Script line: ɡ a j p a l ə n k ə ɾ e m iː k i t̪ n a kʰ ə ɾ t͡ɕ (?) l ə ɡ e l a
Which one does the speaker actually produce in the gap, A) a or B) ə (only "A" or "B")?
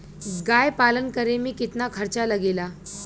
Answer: A